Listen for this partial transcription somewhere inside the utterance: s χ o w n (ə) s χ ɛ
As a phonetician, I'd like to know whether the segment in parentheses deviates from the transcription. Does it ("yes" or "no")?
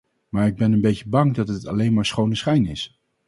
no